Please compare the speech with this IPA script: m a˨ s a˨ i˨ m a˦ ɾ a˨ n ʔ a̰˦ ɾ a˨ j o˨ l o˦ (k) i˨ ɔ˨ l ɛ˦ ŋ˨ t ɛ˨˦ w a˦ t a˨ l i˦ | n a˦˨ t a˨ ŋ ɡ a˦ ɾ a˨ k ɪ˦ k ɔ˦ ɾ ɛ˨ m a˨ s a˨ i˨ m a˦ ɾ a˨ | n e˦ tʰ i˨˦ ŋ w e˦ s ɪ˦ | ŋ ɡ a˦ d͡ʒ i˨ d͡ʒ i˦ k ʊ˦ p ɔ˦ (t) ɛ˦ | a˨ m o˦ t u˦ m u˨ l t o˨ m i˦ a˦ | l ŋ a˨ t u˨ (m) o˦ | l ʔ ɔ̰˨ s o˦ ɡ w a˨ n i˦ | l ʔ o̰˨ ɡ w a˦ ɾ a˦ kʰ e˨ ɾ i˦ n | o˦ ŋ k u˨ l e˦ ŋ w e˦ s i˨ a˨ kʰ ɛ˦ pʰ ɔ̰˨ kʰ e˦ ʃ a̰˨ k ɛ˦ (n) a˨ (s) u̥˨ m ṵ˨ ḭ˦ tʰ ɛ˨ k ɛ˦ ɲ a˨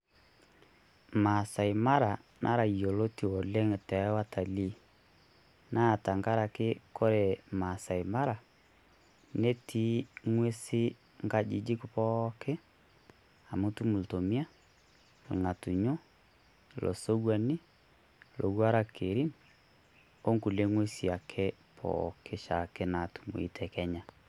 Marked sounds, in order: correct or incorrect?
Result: incorrect: t, incorrect: k, incorrect: ɲ, correct, incorrect: t

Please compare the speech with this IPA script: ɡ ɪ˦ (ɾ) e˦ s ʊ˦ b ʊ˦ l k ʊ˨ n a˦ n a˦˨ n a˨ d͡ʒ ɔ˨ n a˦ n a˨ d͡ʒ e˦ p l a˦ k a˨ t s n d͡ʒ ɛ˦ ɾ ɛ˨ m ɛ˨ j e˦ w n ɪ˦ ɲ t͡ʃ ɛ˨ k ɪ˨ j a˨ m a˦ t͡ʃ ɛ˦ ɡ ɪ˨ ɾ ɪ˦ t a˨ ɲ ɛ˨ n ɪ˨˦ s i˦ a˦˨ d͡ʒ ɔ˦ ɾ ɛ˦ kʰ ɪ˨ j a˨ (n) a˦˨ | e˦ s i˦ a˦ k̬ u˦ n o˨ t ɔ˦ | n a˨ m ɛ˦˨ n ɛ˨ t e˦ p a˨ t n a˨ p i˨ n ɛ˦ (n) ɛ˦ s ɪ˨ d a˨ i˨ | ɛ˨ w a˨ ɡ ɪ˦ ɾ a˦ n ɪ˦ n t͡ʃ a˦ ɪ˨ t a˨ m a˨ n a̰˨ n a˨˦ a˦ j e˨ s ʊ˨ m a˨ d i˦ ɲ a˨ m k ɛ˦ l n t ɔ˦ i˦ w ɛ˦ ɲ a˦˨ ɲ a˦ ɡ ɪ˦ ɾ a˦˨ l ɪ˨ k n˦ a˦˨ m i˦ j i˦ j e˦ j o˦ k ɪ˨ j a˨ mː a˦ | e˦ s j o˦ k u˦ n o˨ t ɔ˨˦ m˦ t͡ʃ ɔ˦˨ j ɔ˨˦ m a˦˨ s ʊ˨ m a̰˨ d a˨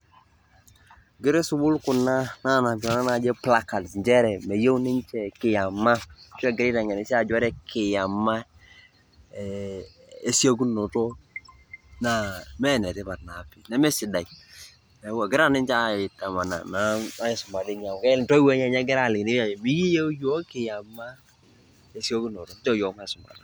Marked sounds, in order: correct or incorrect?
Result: correct, incorrect: m, incorrect: m

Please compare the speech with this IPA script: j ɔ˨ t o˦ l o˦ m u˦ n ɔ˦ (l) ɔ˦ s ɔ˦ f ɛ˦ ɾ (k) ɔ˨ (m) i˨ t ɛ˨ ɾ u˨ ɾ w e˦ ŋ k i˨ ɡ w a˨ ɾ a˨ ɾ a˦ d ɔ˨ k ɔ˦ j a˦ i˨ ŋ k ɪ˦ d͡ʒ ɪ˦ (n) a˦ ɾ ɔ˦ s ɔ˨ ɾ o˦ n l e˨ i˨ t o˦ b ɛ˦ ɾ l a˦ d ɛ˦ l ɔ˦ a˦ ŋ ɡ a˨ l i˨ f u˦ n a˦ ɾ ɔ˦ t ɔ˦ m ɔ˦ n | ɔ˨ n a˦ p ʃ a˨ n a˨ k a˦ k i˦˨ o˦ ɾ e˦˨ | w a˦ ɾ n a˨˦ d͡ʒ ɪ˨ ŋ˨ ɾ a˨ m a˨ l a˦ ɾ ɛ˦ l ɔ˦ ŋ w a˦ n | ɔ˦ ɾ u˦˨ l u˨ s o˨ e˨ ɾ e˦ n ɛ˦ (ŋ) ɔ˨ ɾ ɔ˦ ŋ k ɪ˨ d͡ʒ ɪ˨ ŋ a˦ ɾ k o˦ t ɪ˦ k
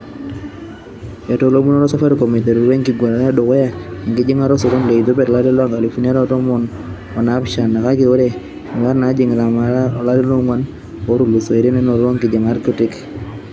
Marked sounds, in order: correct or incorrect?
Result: incorrect: ɾ, correct, correct, incorrect: ŋ, incorrect: n

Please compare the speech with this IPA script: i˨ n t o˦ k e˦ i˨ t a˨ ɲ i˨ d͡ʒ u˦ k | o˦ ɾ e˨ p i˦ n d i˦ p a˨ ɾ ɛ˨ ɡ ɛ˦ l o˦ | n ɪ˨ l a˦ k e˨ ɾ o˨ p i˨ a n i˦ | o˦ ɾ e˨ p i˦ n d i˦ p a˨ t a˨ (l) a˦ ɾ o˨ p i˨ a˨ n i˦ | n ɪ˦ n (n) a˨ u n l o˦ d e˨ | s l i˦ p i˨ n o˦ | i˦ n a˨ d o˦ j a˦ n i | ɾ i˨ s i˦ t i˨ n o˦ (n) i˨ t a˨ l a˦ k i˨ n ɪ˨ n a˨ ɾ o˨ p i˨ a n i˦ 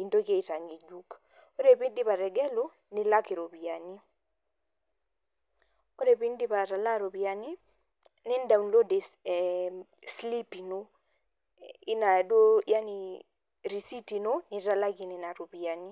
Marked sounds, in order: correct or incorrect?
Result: correct, incorrect: d, correct

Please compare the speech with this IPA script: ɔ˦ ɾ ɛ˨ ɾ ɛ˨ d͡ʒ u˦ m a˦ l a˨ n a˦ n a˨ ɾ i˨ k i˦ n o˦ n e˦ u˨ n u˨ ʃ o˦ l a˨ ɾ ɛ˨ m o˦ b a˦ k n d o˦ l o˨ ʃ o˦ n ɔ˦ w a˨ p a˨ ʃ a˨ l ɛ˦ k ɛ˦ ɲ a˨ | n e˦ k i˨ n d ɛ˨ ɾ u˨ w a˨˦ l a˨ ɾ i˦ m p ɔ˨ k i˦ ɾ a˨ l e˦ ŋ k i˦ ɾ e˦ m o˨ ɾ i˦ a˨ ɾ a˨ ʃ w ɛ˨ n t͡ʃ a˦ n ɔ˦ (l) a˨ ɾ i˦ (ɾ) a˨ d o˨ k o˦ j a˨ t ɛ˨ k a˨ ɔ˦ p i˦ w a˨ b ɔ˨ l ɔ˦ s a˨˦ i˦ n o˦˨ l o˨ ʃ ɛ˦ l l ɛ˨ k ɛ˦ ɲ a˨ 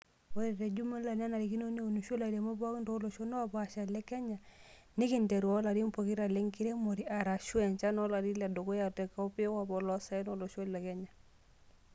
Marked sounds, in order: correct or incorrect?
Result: correct, incorrect: l

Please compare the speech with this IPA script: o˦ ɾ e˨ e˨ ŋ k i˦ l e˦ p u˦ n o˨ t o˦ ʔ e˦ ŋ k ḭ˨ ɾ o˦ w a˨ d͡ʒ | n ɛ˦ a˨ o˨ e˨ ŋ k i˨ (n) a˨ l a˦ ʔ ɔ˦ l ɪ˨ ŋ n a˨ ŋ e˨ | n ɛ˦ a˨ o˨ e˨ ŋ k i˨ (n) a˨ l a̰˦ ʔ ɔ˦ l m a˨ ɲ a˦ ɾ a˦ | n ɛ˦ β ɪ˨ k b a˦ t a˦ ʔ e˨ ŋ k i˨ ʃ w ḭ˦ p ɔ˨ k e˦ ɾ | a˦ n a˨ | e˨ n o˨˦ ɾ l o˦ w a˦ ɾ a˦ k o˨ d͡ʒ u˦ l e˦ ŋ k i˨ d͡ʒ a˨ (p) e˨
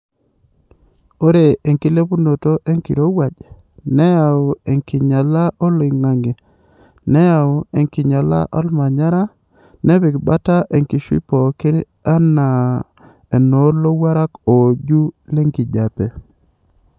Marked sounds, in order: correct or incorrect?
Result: incorrect: ɲ, incorrect: ɲ, correct

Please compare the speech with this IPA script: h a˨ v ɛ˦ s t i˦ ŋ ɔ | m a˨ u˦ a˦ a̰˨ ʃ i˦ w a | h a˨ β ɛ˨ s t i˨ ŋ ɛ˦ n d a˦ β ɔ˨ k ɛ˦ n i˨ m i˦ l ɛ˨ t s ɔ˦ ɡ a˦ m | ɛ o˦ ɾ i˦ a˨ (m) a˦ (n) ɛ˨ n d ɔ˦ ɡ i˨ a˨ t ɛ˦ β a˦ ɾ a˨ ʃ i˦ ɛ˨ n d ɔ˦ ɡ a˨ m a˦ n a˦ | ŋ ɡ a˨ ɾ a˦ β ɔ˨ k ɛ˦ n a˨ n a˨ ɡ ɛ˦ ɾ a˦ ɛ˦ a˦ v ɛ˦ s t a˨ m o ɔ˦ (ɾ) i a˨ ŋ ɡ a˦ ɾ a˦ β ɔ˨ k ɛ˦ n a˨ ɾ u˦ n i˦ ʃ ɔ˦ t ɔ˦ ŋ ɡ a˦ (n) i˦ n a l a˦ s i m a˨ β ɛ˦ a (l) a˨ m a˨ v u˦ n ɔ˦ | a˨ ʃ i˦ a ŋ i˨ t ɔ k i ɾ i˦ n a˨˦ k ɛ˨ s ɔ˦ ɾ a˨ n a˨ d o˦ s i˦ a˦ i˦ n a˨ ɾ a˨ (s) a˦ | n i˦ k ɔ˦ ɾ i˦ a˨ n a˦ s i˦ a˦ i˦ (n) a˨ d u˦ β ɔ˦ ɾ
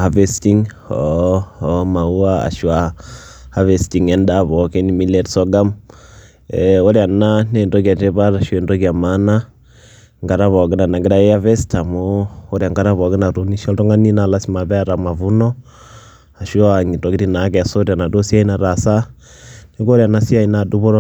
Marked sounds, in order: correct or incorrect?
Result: incorrect: n, correct, correct, correct, incorrect: ɾ, correct, correct

